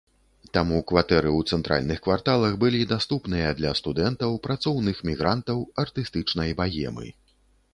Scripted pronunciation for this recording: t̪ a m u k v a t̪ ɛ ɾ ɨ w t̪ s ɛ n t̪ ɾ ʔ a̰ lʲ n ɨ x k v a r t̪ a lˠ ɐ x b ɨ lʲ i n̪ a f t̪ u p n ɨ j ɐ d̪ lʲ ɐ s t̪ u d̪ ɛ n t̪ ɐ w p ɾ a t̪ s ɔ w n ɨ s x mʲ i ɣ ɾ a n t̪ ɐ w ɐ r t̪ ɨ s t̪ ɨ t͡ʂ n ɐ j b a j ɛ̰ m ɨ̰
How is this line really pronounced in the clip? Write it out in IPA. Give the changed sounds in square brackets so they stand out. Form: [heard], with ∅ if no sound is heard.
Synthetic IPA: t̪ a m u k v a t̪ ɛ ɾ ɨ w t̪ s ɛ n t̪ ɾ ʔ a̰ lʲ n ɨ x k v a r t̪ a lˠ ɐ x b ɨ lʲ i [d̪] a [s] t̪ u p n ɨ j ɐ d̪ lʲ ɐ s t̪ u d̪ ɛ n t̪ ɐ w p ɾ a t̪ s ɔ w n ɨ [∅] x mʲ i ɣ ɾ a n t̪ ɐ w ɐ r t̪ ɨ s t̪ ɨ t͡ʂ n ɐ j b a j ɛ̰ m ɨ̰